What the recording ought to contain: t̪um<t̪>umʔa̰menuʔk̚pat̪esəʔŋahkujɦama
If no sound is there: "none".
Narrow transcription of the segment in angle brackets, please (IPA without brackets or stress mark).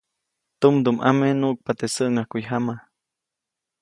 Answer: d̪